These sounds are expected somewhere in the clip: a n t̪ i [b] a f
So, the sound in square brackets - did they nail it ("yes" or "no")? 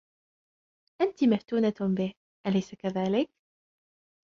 no